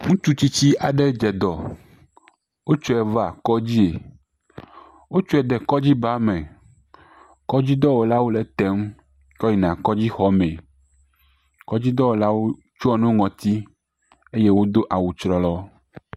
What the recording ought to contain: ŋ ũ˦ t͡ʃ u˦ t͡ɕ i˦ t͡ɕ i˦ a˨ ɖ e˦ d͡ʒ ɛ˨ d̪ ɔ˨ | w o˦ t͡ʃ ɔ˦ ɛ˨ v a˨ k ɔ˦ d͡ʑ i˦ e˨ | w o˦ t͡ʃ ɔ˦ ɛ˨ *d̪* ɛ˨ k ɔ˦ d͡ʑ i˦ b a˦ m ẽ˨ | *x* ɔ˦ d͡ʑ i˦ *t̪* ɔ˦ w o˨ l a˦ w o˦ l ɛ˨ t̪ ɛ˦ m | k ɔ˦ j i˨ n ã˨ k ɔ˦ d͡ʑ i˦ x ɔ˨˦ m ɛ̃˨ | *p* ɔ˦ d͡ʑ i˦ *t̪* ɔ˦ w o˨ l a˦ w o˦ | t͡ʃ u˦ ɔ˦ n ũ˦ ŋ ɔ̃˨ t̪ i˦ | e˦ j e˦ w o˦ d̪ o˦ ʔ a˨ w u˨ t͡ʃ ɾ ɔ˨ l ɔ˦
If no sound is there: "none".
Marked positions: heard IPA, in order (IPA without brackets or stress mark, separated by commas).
d̪, k, d̪, k, d̪